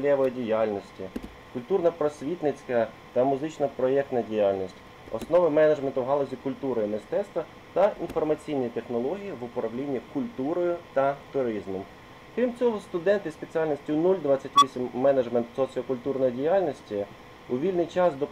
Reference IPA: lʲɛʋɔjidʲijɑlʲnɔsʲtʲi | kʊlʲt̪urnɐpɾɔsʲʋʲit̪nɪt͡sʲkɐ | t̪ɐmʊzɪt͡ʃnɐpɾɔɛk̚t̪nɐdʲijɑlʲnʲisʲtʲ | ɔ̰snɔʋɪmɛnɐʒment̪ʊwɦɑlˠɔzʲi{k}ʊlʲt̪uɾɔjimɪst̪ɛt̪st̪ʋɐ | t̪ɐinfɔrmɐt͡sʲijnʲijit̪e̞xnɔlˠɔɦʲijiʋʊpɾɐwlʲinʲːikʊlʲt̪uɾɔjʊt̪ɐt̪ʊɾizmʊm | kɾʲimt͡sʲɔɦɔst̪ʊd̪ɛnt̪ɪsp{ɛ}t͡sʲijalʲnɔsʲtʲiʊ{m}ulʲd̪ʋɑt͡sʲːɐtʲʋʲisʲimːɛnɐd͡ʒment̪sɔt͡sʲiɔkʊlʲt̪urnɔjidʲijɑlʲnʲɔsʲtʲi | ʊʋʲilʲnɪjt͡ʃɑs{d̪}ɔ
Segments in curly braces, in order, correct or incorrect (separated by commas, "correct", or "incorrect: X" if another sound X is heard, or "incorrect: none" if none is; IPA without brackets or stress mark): correct, incorrect: e, incorrect: n, correct